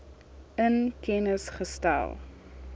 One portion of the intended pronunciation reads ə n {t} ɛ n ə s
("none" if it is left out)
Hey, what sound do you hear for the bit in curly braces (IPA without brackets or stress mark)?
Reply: k